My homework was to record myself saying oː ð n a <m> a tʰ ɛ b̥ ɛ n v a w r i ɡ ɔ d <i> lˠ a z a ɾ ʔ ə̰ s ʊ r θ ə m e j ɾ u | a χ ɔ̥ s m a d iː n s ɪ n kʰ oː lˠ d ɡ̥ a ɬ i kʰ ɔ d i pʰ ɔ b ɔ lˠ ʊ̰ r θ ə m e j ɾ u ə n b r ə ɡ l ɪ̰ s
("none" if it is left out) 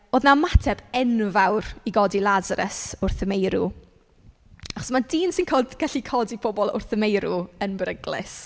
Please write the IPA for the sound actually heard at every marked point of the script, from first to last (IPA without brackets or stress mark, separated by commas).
m, i